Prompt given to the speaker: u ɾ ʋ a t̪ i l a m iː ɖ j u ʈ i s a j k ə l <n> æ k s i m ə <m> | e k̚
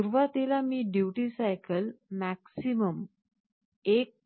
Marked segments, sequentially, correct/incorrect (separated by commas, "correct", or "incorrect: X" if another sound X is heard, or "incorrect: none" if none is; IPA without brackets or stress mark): incorrect: m, correct